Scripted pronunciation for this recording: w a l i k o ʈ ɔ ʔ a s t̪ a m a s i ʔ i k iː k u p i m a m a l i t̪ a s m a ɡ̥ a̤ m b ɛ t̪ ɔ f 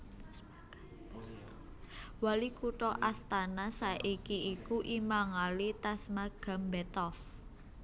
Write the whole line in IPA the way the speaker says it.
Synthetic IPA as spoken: w a l i k u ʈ ɔ ʔ a s t̪ a n a s a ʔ i k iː k u ʔ i m a ŋ a l i t̪ a s m a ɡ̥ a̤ m b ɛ t̪ ɔ f